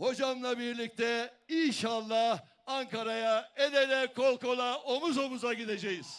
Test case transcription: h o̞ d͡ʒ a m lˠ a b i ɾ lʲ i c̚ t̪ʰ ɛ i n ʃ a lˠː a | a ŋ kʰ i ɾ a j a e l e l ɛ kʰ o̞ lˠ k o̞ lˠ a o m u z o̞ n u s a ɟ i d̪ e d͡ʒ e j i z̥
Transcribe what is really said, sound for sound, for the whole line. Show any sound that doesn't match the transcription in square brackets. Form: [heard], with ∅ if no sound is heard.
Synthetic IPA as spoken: h o̞ d͡ʒ a m lˠ a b i ɾ lʲ i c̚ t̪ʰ ɛ i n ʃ a lˠː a | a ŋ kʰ [a] ɾ a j a e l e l ɛ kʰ o̞ lˠ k o̞ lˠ a o m u z o̞ [m] u [z] a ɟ i d̪ e d͡ʒ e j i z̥